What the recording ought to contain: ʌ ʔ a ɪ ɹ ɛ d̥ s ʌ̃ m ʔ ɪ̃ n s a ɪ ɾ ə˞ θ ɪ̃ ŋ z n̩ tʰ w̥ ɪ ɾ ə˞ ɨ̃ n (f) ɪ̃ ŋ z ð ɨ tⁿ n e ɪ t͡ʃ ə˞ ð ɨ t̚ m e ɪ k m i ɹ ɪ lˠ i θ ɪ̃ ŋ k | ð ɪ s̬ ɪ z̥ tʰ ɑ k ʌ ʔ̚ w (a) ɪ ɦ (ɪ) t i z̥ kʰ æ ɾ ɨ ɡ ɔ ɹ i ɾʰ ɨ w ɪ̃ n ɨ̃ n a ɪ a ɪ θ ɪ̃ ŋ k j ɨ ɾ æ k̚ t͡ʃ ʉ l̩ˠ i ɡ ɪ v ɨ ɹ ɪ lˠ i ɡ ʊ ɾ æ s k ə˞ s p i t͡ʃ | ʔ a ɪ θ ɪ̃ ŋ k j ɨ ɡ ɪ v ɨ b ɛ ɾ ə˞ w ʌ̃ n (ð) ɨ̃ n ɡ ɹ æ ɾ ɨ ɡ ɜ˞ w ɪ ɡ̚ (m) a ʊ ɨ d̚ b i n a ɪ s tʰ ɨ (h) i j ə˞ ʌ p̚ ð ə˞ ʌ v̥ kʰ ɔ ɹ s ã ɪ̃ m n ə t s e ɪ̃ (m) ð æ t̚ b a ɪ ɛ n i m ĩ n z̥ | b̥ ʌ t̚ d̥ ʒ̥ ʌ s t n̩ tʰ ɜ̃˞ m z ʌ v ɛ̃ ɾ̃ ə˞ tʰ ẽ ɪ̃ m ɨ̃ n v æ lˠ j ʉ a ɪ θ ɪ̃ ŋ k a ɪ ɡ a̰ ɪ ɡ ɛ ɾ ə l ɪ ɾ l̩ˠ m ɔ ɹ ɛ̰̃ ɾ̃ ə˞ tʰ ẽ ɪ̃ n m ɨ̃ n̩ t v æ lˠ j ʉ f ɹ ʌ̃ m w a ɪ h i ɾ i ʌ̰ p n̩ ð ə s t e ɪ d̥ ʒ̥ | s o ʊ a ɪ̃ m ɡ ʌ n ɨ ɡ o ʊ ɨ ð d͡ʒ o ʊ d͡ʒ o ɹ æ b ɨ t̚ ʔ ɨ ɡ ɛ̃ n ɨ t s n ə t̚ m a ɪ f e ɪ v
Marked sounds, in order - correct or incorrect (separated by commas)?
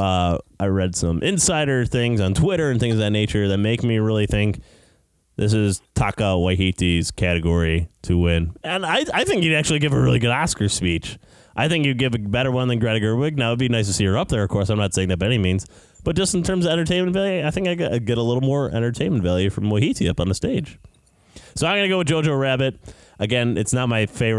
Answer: incorrect, correct, incorrect, correct, incorrect, incorrect, incorrect